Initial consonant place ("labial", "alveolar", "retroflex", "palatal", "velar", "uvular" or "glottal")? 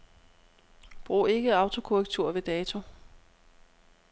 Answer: labial